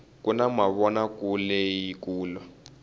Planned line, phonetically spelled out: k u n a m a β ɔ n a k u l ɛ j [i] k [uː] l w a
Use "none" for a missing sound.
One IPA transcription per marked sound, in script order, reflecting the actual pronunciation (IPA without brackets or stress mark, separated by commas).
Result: i, uː